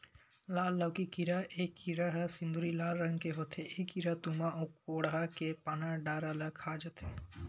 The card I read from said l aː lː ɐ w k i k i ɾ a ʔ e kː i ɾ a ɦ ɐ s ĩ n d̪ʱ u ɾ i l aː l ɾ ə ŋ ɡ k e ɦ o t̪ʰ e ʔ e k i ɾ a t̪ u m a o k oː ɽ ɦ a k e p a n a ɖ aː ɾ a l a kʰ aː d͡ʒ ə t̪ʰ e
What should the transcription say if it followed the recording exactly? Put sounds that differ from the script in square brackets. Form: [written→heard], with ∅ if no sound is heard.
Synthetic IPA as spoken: l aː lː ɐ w k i k i ɾ a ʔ e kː i ɾ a ɦ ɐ s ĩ n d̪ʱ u ɾ i l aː l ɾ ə ŋ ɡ k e ɦ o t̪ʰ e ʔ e k i ɾ a t̪ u m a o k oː ɽ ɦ a k e p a n a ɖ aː ɾ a l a kʰ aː d͡ʒ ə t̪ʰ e